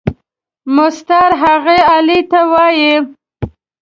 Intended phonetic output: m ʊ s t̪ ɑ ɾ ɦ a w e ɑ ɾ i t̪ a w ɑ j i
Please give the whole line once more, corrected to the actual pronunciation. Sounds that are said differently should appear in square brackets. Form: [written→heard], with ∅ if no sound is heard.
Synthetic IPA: m ʊ s t̪ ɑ ɾ ɦ a [w→ɣ] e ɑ [ɾ→l] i t̪ a w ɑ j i